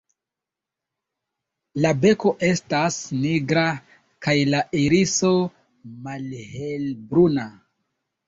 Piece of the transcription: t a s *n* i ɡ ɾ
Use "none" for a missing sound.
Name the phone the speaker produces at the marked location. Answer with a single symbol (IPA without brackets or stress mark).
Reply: n